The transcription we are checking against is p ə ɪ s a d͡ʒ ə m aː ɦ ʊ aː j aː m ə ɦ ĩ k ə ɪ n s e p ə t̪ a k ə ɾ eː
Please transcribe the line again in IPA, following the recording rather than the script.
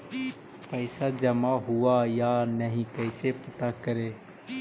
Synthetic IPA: p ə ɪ s a d͡ʒ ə m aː ɦ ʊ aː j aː n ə ɦ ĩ k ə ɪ s e p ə t̪ a k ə ɾ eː